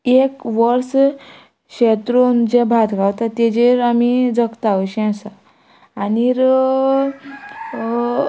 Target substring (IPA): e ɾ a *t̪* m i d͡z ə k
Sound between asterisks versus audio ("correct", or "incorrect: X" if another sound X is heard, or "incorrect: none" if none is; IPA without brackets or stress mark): incorrect: none